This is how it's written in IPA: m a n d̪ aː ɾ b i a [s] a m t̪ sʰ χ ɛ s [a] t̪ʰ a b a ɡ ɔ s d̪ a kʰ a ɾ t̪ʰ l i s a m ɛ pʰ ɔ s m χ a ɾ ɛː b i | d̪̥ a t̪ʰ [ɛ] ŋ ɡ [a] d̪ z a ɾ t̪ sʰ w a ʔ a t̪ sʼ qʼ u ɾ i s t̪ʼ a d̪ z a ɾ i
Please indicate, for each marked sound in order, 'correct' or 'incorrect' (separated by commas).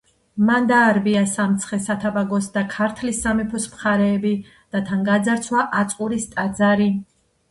correct, correct, incorrect, correct